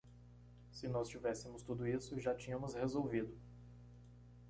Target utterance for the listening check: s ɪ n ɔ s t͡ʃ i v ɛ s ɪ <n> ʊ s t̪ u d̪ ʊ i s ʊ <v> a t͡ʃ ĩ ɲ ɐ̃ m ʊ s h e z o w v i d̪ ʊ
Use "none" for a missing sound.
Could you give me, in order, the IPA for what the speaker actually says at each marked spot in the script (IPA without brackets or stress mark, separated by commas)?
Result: m, ʒ